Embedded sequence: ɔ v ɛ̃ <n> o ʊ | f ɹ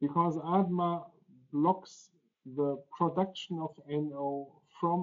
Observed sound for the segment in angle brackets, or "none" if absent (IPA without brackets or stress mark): n